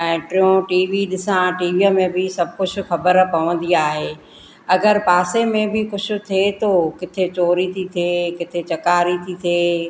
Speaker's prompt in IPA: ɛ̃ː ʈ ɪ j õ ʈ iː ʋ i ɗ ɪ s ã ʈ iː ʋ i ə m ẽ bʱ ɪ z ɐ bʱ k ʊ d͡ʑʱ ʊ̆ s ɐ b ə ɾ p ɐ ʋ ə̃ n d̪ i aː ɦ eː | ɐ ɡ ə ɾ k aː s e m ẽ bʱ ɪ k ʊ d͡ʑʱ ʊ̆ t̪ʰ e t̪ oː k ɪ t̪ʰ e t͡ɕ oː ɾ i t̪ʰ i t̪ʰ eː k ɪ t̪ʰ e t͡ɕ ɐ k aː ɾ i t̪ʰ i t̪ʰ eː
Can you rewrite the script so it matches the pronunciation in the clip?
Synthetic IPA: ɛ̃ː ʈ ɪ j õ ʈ iː ʋ i ɗ ɪ s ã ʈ iː ʋ i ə m ẽ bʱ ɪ s ɐ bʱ k ʊ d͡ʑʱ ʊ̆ x ɐ b ə ɾ p ɐ ʋ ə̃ n d̪ i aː ɦ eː | ɐ ɡ ə ɾ p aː s e m ẽ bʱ ɪ k ʊ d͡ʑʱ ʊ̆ t̪ʰ e t̪ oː k ɪ t̪ʰ e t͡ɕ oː ɾ i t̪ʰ i t̪ʰ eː k ɪ t̪ʰ e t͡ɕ ɐ k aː ɾ i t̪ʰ i t̪ʰ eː